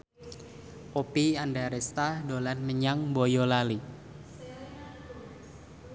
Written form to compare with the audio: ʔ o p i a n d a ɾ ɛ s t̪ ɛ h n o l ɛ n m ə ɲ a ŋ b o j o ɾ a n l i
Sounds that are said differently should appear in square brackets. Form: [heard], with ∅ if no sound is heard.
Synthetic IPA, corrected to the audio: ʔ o p i a n d a ɾ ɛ s t̪ [a] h [d] o l [a] n m ə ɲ a ŋ b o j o [l] a [∅] l i

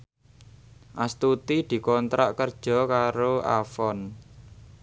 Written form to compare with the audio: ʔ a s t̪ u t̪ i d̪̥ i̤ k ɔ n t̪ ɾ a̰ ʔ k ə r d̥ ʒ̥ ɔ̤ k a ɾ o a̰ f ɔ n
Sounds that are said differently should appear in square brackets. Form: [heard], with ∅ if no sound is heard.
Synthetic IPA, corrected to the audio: ʔ a s t̪ u t̪ i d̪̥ i̤ k ɔ n t̪ ɾ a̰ ʔ k ə r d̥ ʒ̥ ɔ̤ k a ɾ o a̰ f ɔ n

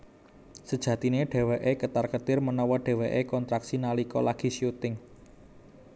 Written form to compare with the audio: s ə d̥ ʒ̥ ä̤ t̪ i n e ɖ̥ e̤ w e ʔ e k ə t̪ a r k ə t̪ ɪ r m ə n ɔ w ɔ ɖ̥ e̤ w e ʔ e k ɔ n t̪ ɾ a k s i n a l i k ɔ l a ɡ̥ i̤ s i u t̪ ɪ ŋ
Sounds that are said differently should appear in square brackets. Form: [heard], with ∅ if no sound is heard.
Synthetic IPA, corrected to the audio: s ə d̥ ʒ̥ ä̤ t̪ i n e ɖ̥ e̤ w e ʔ e k ə t̪ a r k ə t̪ ɪ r m ə n ɔ w ɔ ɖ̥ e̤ w e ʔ e k ɔ n t̪ ɾ a k s i n a l i k ɔ l a ɡ̥ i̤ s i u t̪ ɪ ŋ

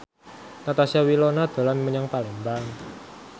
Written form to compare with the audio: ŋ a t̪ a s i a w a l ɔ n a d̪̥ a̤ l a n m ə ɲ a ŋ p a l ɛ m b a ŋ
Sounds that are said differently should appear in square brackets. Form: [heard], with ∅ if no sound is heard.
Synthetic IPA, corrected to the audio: [n] a t̪ a s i a w [i] l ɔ n a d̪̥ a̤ l a n m ə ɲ a ŋ p a l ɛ m b a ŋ

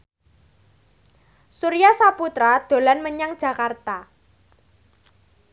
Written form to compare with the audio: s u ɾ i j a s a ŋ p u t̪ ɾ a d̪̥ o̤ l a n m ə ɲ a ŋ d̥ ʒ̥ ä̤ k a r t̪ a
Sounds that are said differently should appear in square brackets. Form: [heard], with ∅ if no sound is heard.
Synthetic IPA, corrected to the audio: s u ɾ i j a s a [∅] p u t̪ ɾ a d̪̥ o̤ l a n m ə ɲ a ŋ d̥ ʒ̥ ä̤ k a r t̪ a

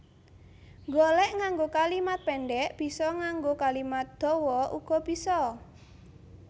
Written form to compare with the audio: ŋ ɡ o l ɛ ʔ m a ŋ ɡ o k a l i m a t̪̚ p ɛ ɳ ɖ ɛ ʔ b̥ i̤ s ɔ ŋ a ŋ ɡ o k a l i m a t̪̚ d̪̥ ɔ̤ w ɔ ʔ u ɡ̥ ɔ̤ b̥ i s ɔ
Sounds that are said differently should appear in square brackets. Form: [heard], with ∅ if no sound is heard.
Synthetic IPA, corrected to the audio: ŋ ɡ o l ɛ ʔ [ŋ] a ŋ ɡ o k a l i m a t̪̚ p ɛ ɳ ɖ ɛ ʔ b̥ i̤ s ɔ ŋ a ŋ ɡ o k a l i m a t̪̚ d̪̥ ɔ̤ w ɔ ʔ u ɡ̥ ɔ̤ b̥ i s ɔ

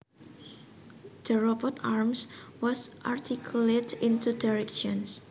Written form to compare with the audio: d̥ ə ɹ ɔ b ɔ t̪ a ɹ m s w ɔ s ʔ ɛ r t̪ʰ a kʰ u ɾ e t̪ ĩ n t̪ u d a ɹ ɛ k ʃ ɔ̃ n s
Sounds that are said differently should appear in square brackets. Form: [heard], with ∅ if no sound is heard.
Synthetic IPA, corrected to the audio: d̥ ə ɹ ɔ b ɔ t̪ a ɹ m s w ɔ s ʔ [a] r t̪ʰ [i] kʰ u [l] e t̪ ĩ n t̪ u d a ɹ ɛ k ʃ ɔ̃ n s

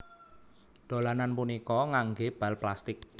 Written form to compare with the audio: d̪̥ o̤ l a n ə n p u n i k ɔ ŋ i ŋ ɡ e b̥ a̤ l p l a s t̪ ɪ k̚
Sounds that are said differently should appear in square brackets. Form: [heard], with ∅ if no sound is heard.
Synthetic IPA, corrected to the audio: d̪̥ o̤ l a n [a] n p u n i k ɔ ŋ [a] ŋ ɡ e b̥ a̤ l p l a s t̪ ɪ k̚

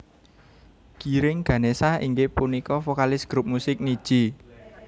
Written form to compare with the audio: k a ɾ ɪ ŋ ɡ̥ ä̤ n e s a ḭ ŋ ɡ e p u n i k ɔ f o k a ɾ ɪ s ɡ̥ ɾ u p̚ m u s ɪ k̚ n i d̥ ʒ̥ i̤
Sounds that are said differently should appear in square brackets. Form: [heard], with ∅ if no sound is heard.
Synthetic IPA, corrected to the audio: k [i] ɾ ɪ ŋ ɡ̥ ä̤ n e s a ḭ ŋ ɡ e p u n i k ɔ f o k a [l] ɪ s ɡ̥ ɾ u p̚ m u s ɪ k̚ n i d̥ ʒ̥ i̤

